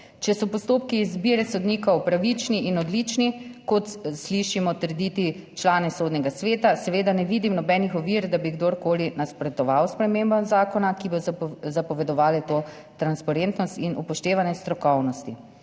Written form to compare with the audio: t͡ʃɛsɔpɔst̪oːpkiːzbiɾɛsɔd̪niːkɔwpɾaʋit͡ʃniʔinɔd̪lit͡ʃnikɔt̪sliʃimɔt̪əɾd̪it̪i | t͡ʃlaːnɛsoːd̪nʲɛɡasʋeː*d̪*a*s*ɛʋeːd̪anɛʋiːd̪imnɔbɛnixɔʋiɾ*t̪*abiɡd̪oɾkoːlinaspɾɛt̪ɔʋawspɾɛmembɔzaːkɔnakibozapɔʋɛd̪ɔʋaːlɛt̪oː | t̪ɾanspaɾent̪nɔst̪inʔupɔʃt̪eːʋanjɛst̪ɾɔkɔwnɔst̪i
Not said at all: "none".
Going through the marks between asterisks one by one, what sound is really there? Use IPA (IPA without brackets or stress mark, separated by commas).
t̪, s, d̪